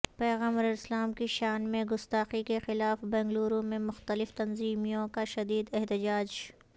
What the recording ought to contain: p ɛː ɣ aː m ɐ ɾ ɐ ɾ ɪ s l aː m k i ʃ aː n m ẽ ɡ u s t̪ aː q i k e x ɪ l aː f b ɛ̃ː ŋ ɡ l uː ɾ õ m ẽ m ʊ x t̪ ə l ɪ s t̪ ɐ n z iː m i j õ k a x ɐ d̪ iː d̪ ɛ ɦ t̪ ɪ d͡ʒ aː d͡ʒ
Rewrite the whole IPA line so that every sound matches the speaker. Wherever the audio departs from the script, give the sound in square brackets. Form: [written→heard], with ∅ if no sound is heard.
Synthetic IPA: p ɛː ɣ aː m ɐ ɾ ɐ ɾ ɪ s l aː m k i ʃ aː n m ẽ ɡ [u→ʊ] s t̪ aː q i k e x ɪ l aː f b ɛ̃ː ŋ ɡ l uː ɾ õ m ẽ m ʊ x t̪ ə l ɪ [s→f] t̪ ɐ n z iː m i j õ k a [x→ʃ] ɐ d̪ iː d̪ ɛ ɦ t̪ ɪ d͡ʒ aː d͡ʒ